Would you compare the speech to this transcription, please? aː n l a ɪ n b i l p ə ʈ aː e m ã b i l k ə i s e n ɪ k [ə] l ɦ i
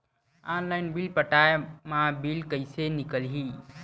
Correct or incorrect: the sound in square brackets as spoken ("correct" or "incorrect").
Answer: correct